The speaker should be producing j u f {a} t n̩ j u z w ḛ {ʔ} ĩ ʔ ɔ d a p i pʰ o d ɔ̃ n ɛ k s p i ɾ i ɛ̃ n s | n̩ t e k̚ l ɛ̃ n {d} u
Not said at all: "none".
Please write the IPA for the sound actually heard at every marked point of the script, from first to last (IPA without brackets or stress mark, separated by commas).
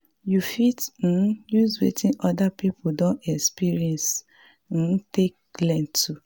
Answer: i, t, t